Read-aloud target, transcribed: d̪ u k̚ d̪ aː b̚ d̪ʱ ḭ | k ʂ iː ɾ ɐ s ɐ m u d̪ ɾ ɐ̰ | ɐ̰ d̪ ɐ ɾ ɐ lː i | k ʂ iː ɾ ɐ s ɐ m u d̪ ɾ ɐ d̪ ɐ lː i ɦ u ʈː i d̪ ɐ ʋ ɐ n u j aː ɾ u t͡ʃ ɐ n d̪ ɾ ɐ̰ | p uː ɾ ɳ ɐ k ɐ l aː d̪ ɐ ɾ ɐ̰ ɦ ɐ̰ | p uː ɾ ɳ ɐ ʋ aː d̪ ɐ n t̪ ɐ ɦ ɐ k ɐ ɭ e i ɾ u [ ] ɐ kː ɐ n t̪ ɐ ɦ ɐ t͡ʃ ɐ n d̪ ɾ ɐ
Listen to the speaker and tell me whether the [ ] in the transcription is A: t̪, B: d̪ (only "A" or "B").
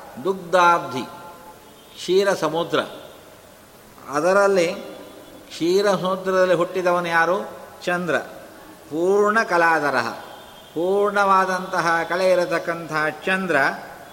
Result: A